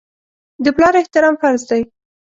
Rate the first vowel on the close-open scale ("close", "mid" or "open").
mid